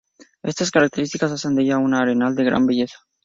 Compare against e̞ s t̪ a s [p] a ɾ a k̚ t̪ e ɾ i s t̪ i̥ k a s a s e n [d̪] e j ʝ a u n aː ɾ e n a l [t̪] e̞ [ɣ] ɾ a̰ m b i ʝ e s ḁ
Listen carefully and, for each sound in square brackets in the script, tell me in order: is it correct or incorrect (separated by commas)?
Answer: incorrect, correct, incorrect, correct